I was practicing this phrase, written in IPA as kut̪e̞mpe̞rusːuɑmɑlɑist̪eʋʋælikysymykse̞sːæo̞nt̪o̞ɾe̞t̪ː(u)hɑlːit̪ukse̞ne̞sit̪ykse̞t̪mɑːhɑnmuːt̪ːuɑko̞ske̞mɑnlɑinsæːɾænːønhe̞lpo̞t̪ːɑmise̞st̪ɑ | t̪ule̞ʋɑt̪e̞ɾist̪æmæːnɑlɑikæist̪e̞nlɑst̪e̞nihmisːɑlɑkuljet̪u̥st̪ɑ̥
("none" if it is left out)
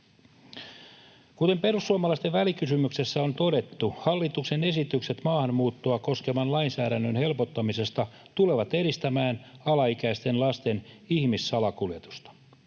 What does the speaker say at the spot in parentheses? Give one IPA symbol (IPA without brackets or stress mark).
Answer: u